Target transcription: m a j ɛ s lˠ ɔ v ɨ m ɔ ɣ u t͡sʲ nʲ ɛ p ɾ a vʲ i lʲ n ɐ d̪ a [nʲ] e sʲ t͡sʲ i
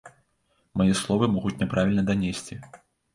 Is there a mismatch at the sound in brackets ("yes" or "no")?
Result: no